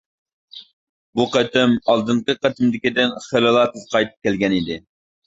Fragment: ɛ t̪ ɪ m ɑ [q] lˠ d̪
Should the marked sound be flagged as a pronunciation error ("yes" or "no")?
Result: yes